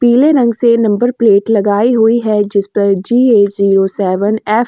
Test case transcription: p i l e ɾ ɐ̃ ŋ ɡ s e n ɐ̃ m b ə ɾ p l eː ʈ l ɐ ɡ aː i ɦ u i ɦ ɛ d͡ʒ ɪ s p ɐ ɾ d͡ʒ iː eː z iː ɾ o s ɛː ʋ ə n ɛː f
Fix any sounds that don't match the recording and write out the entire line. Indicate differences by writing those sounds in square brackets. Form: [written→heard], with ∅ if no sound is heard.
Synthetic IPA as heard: p [i→iː] l e ɾ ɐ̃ ŋ ɡ s e n ɐ̃ m b ə ɾ p l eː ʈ l ɐ ɡ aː i ɦ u i ɦ ɛ d͡ʒ ɪ s p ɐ ɾ d͡ʒ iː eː z iː ɾ o s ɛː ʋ ə n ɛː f

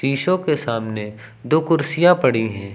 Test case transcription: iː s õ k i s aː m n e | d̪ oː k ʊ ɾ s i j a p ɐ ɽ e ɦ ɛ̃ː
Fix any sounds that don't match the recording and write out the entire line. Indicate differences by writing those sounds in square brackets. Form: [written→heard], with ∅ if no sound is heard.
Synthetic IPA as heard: iː [s→ʃ] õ k [i→e] s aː m n e | d̪ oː k ʊ ɾ s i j a p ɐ ɽ [e→i] ɦ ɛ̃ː

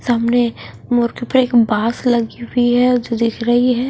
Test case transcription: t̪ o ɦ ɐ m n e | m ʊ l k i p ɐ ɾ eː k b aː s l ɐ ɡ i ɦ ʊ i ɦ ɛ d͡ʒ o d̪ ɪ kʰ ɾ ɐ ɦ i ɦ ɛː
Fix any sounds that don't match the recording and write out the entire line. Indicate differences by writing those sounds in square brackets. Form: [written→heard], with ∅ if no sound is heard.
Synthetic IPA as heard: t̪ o ɦ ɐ m n e | m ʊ [l→ɾ] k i p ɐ ɾ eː k b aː s l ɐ ɡ i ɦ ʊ i ɦ ɛ d͡ʒ o d̪ ɪ kʰ ɾ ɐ ɦ i ɦ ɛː

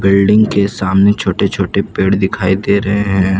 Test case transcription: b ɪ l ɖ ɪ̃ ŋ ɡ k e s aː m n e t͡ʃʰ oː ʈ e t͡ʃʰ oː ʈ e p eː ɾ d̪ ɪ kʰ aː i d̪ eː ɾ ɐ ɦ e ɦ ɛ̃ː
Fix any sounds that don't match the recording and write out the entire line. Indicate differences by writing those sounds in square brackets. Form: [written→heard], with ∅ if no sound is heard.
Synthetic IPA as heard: b ɪ l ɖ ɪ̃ ŋ ɡ k e s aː m n e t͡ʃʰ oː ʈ e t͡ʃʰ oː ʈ e p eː [ɾ→ɽ] d̪ ɪ kʰ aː i d̪ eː ɾ ɐ ɦ e ɦ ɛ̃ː

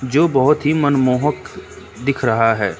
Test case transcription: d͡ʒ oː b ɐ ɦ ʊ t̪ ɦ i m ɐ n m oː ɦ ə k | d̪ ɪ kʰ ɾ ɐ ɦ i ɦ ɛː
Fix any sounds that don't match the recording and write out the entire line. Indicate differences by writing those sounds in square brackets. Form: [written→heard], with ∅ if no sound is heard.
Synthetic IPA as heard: d͡ʒ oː b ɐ ɦ ʊ t̪ ɦ i m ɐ n m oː ɦ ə k | d̪ ɪ kʰ ɾ ɐ ɦ [i→a] ɦ ɛː

